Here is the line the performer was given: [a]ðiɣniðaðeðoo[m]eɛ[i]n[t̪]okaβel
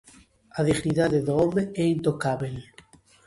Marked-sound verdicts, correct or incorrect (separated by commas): correct, correct, correct, correct